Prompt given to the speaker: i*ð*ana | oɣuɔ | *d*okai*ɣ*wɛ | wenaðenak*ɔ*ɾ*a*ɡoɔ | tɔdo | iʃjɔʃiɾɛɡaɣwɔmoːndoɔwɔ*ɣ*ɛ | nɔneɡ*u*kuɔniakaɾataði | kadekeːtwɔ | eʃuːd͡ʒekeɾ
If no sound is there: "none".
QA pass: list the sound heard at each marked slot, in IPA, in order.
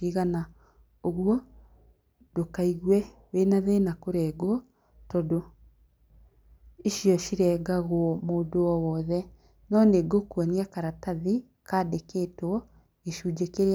ɣ, d, ɣ, o, ɛ, ð, o

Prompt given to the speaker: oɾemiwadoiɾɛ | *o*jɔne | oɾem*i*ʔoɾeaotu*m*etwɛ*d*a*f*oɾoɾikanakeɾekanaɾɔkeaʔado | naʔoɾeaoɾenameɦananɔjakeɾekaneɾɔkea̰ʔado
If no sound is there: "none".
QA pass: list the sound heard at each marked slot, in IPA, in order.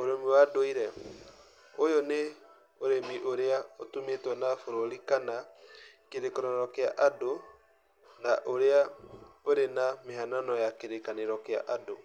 o, i, m, n, f

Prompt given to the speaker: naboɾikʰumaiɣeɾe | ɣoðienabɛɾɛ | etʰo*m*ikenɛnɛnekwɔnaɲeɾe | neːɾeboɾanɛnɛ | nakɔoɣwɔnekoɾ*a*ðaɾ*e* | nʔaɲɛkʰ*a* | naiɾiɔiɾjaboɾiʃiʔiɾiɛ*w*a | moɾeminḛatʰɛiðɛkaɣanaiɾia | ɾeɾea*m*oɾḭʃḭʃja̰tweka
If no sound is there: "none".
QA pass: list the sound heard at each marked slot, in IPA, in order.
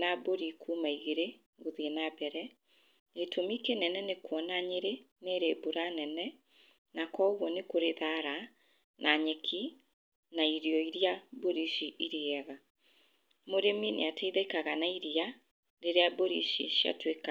m, e, a, i, ɣ, b

